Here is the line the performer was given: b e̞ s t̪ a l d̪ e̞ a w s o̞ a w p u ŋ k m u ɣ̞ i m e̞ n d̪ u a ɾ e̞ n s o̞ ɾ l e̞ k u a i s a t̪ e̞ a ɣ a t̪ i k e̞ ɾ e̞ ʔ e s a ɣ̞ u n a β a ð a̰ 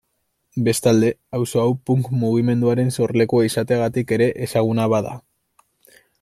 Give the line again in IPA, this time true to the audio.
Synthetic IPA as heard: b e̞ s t̪ a l d̪ e̞ a w s o̞ a w p u ŋ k m u ɣ̞ i m e̞ n d̪ u a ɾ e̞ n s o̞ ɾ l e̞ k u a i s a t̪ e̞ a ɣ a t̪ i k e̞ ɾ e̞ ʔ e s a ɣ̞ u n a β a ð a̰